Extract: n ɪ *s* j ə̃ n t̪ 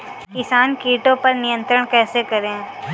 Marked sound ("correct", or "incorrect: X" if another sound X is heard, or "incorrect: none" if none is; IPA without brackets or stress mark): incorrect: none